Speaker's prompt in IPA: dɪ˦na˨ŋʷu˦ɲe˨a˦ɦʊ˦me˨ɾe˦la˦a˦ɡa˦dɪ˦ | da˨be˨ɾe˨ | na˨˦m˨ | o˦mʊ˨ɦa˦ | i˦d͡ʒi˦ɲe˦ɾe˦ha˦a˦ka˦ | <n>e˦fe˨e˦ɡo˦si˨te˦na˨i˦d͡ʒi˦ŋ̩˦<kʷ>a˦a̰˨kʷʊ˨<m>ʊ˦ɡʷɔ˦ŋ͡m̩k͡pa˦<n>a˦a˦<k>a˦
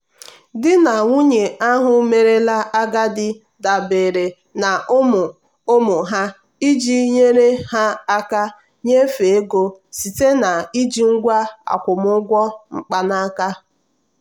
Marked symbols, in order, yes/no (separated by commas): no, no, yes, yes, yes